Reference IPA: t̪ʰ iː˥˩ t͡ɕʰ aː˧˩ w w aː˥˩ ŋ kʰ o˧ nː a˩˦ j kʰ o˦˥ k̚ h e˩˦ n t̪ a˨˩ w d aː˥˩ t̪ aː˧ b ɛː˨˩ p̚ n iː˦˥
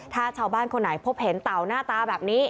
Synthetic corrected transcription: t̪ʰ aː˥˩ t͡ɕʰ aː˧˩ w b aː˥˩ n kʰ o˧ nː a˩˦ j pʰ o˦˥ p̚ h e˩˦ n t̪ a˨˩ w n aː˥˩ t̪ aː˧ b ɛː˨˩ p̚ n iː˦˥

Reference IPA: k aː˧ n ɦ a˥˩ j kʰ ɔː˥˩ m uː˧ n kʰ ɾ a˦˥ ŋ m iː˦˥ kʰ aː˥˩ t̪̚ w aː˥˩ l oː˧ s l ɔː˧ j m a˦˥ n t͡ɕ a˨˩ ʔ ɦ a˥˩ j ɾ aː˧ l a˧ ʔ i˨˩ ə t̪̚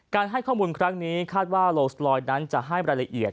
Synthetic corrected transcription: k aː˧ n ɦ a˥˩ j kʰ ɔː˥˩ m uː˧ n kʰ ɾ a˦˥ ŋ n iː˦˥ kʰ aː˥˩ t̪̚ w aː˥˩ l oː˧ s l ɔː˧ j n a˦˥ n t͡ɕ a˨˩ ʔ ɦ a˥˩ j ɾ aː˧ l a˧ ʔ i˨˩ ə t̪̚

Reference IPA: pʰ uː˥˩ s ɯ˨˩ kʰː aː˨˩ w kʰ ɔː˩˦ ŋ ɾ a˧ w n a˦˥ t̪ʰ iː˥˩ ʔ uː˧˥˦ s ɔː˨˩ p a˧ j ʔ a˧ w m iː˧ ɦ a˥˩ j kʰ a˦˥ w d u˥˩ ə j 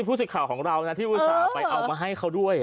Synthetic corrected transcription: pʰ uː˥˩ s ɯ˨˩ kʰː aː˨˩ w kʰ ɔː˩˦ ŋ ɾ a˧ w n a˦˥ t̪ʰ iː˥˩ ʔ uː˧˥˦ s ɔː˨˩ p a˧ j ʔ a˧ w m aː˧ ɦ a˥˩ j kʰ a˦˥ w d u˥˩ ə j

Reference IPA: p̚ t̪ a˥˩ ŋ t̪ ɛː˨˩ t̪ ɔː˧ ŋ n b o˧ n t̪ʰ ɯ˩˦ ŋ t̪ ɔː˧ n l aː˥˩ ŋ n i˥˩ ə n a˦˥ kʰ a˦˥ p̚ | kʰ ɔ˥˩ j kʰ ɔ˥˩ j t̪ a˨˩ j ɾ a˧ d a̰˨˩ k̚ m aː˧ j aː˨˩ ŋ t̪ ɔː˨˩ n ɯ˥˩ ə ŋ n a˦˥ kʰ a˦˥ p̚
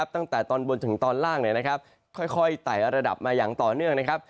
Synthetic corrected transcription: p̚ t̪ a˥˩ ŋ t̪ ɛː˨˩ t̪ ɔː˧ n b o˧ n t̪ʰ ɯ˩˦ ŋ t̪ ɔː˧ n l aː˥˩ ŋ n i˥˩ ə n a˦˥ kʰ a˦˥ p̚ | kʰ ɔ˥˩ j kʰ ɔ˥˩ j t̪ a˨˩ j ɾ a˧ d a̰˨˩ p̚ m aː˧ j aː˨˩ ŋ t̪ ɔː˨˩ n ɯ˥˩ ə ŋ n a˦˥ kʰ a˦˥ p̚

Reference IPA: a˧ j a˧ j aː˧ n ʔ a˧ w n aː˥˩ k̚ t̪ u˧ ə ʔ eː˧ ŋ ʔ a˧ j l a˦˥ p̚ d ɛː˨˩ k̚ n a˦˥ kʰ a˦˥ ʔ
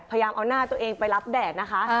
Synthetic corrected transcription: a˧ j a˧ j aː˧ m ʔ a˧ w n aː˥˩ t̪ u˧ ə ʔ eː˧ ŋ p a˧ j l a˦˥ p̚ d ɛː˨˩ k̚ n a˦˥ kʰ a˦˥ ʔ

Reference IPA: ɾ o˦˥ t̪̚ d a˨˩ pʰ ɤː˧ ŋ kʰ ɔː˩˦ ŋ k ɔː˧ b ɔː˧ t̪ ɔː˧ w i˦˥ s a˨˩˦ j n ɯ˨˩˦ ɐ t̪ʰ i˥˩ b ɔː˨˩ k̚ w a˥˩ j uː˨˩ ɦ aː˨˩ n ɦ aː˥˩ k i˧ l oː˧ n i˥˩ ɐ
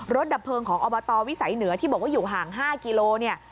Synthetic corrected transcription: ɾ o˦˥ t̪̚ d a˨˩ pʰ ɤː˧ ŋ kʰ ɔː˩˦ ŋ ʔ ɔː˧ b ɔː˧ t̪ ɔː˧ w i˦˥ s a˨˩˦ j n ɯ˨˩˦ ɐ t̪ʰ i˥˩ b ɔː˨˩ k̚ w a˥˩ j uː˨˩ ɦ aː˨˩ ŋ ɦ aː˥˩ k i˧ l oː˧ n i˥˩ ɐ

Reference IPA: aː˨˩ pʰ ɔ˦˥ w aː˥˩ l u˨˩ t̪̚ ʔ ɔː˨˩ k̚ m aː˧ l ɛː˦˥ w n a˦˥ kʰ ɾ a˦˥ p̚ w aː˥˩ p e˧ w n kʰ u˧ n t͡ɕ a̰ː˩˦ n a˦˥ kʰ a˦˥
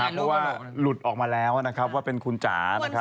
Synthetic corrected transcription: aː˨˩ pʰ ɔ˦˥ w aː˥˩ l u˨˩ t̪̚ ʔ ɔː˨˩ k̚ m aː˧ l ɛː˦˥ w n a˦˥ kʰ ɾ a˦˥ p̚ w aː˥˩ p e˧ n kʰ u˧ n t͡ɕ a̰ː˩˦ n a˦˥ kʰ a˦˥

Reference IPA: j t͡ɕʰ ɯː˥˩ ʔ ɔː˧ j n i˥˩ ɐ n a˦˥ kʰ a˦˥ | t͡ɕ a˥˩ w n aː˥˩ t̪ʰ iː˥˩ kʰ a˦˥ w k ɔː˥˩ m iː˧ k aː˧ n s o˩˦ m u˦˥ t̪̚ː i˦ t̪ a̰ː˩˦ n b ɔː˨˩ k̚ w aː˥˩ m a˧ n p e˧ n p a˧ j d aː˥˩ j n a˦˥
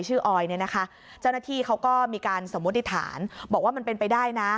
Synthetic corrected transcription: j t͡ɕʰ ɯː˥˩ ʔ ɔː˧ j n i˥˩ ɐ n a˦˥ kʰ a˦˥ | t͡ɕ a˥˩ w n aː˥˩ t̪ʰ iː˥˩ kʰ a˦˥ w k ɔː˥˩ m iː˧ k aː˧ n s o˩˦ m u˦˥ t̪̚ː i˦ t̪ʰ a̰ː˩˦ n b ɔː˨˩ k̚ w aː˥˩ m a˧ n p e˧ n p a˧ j d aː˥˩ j n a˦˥

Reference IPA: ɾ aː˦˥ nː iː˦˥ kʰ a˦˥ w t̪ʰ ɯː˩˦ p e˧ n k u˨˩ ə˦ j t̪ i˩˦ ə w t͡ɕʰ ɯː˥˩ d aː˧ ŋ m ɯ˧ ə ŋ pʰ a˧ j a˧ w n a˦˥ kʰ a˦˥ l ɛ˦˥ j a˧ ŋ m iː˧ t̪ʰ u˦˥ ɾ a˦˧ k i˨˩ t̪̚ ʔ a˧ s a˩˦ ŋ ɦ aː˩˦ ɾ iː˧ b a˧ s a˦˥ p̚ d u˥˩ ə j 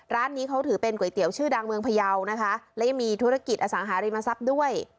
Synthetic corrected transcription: ɾ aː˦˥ nː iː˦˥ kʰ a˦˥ w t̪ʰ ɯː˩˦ p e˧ n k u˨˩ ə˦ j t̪ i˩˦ ə w t͡ɕʰ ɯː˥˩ d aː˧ ŋ m ɯ˧ ə ŋ pʰ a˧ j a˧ w n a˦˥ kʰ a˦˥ l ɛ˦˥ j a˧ ŋ m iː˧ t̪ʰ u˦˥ ɾ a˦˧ k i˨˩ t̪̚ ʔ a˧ s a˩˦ ŋ ɦ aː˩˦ ɾ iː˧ m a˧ s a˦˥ p̚ d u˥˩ ə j

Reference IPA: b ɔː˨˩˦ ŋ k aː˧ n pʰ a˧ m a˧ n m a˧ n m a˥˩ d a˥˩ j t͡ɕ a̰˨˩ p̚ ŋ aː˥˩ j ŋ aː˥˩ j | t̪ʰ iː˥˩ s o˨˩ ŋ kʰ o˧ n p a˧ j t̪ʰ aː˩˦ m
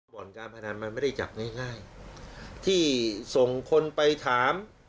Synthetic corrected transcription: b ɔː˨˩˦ n k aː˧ n pʰ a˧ n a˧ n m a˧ n m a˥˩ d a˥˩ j t͡ɕ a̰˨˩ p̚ ŋ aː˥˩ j ŋ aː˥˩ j | t̪ʰ iː˥˩ s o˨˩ ŋ kʰ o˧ n p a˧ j t̪ʰ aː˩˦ m

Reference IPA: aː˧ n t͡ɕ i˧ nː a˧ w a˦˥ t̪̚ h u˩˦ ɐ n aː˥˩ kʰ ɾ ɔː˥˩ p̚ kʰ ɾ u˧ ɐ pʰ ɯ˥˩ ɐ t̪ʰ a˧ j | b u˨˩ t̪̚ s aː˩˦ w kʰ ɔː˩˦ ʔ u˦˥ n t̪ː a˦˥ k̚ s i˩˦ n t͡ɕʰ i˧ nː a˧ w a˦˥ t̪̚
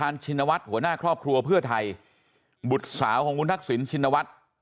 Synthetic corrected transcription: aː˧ n t͡ɕʰ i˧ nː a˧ w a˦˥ t̪̚ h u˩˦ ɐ n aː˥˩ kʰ ɾ ɔː˥˩ p̚ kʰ ɾ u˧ ɐ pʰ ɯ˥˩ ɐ t̪ʰ a˧ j | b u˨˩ t̪̚ s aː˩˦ w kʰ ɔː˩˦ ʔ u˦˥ n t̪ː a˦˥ k̚ s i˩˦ n t͡ɕʰ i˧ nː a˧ w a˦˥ t̪̚

